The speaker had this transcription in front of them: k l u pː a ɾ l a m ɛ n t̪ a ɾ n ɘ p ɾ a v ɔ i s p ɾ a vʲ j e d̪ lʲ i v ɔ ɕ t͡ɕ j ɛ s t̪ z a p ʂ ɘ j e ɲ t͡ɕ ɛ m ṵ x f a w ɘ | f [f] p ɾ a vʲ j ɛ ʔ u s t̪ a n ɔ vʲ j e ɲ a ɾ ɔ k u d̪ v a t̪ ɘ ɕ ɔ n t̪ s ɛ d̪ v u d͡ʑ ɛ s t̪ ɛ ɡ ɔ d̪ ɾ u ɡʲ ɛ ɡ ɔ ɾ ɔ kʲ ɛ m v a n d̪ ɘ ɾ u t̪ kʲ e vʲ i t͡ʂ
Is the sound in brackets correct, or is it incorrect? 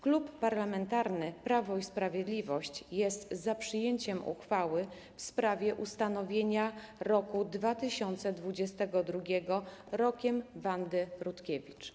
incorrect: s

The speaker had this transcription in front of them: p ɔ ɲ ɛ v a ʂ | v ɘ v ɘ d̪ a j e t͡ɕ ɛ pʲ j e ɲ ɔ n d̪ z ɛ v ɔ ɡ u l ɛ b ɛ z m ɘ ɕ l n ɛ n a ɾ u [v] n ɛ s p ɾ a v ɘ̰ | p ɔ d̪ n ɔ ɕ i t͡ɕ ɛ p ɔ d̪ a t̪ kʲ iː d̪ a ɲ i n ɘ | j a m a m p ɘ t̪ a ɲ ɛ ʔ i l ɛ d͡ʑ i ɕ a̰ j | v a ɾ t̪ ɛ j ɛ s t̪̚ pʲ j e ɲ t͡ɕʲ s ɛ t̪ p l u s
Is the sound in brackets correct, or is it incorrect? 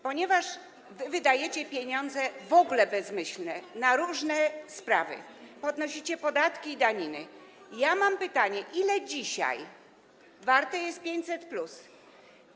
incorrect: ʐ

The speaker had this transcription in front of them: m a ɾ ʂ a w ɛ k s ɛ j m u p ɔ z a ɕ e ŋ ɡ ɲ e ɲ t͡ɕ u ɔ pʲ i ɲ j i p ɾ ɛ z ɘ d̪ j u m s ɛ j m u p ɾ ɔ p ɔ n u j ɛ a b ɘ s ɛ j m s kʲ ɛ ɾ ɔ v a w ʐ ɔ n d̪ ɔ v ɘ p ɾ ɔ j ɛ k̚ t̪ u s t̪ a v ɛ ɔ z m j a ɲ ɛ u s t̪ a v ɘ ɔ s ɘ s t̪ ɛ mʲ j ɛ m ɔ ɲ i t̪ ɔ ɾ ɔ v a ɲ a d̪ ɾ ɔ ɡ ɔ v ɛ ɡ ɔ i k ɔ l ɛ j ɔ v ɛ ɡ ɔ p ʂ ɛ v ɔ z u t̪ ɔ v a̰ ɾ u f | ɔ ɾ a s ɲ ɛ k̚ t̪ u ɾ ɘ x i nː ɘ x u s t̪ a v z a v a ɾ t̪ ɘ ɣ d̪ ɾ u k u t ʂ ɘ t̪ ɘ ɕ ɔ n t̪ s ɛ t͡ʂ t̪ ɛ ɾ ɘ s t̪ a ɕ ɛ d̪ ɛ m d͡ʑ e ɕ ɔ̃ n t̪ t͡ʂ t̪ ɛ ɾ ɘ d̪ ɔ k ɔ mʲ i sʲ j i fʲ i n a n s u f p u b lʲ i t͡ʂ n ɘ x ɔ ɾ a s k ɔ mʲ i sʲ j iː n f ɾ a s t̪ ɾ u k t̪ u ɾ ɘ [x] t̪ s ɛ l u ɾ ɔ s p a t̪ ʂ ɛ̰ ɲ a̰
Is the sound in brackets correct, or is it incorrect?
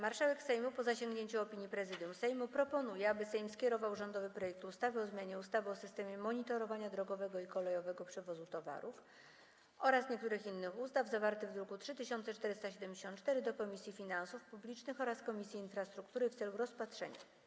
incorrect: f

